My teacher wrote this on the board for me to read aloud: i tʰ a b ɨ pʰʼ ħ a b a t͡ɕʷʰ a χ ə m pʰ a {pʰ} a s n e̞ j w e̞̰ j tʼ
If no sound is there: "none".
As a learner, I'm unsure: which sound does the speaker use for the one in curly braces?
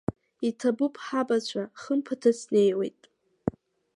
tʰ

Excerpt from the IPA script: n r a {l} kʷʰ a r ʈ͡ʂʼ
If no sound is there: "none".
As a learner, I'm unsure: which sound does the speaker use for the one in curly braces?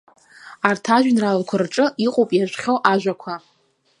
l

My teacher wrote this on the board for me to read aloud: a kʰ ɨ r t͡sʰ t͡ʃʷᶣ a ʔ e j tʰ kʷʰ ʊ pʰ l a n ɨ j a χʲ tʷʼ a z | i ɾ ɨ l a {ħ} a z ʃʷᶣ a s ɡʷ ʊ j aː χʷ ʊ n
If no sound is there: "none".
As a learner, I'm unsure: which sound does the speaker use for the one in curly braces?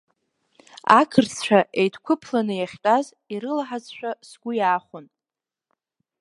ħ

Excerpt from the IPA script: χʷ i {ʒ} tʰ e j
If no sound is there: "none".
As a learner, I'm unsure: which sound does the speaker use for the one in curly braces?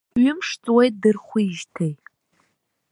ʒ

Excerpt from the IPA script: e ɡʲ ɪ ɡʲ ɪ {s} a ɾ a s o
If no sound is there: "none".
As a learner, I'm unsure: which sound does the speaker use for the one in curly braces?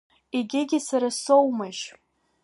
s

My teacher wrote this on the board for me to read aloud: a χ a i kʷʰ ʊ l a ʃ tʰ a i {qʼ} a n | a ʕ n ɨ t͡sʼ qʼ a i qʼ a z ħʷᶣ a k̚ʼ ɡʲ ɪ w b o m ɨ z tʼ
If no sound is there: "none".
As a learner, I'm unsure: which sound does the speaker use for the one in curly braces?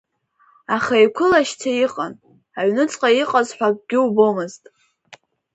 qʼ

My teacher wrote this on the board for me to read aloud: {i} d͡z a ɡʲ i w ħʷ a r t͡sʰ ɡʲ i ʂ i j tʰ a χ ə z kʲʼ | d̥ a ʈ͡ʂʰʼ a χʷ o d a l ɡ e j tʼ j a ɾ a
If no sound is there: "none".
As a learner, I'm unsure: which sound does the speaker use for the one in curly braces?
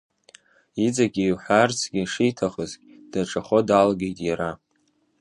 i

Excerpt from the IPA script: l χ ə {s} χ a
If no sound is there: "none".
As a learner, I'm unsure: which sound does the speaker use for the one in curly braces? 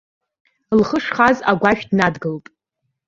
ʂ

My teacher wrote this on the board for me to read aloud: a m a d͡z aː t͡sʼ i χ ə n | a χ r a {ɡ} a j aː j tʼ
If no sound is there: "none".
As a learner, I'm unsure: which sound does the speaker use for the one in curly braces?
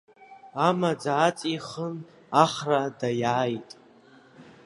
d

